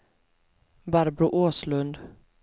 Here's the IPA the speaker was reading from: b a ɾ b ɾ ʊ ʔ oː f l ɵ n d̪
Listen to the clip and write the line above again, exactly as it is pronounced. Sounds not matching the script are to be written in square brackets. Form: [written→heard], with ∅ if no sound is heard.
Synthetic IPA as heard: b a ɾ b ɾ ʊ ʔ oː [f→s] l ɵ n d̪